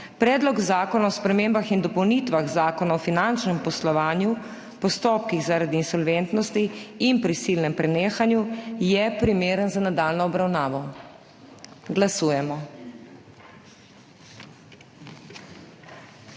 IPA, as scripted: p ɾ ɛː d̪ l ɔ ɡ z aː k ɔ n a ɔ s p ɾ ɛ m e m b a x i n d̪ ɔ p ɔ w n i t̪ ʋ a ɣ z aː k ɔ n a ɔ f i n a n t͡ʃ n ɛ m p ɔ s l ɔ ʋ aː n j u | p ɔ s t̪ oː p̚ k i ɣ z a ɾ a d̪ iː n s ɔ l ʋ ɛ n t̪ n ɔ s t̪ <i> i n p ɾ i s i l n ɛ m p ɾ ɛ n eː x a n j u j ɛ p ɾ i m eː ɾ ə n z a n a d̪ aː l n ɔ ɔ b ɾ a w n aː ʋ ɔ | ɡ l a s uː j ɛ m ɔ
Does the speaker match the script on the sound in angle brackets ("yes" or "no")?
yes